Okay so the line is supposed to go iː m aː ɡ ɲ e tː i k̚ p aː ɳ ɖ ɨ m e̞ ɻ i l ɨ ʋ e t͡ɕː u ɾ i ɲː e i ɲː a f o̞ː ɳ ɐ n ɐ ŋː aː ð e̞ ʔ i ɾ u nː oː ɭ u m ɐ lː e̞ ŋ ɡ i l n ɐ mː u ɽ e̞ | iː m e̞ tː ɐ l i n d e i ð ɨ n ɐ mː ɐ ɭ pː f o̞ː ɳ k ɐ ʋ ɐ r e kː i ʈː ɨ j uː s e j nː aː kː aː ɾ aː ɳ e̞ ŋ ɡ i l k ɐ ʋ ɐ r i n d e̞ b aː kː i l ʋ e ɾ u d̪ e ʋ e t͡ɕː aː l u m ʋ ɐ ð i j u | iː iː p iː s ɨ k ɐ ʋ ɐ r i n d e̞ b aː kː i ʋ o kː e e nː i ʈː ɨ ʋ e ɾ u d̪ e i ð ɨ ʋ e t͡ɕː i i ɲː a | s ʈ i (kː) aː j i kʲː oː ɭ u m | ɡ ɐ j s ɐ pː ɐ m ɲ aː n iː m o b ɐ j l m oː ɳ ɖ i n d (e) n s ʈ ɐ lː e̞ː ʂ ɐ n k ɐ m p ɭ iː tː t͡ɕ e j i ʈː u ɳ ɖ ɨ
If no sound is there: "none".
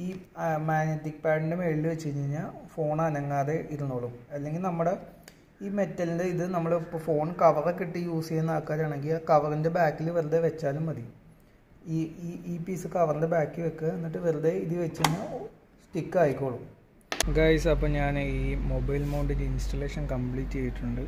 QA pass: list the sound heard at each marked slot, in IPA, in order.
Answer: kː, i

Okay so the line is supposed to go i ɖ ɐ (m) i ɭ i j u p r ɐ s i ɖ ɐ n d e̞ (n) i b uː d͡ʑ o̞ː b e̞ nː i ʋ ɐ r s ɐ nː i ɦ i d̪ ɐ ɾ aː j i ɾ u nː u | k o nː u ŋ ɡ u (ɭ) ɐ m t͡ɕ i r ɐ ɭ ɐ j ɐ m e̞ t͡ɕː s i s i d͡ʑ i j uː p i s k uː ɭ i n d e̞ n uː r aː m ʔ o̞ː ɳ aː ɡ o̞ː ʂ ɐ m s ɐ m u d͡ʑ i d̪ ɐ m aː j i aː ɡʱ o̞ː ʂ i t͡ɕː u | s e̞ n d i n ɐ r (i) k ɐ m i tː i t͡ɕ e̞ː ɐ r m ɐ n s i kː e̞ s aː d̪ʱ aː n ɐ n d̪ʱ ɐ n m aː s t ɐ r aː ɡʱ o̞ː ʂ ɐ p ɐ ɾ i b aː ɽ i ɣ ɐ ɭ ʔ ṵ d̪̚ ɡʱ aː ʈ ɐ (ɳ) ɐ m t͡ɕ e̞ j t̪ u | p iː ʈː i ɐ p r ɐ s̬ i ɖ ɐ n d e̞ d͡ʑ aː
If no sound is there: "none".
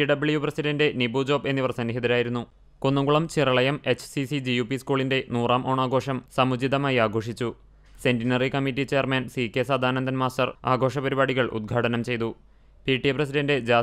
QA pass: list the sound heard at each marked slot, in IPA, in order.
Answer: b, n, ɭ, i, n

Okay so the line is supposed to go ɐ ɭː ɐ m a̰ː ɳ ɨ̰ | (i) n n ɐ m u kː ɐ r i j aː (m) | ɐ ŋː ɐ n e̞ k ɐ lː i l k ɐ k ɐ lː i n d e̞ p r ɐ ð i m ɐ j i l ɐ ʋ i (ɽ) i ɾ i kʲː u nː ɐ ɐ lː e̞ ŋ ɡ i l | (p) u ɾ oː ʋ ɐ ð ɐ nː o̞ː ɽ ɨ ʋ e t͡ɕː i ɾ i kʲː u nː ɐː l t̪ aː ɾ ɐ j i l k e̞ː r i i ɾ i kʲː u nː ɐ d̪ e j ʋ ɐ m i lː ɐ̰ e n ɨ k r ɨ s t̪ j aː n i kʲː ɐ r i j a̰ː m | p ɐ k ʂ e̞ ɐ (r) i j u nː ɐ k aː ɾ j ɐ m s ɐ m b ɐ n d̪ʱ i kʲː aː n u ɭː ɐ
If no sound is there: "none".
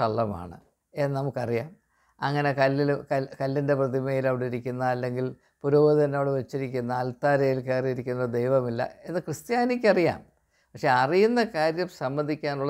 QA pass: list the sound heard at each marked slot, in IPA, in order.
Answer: e, m, ɽ, p, r

